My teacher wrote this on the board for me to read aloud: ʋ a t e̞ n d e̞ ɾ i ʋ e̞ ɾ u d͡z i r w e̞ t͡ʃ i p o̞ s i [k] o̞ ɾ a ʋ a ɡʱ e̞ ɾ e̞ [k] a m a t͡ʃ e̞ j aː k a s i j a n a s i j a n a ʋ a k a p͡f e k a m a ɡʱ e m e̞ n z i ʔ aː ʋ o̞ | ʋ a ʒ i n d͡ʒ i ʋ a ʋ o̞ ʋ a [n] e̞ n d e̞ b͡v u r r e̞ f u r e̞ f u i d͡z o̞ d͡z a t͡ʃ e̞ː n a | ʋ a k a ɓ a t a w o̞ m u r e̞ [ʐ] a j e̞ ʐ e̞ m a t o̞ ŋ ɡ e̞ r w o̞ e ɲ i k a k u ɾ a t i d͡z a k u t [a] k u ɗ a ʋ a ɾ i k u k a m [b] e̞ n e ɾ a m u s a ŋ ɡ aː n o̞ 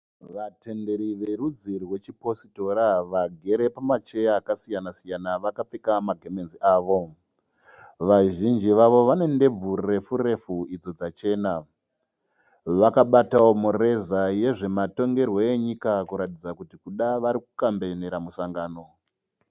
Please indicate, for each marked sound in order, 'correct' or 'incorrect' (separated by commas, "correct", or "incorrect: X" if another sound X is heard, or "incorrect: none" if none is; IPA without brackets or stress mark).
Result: incorrect: t, incorrect: p, correct, incorrect: z, incorrect: i, correct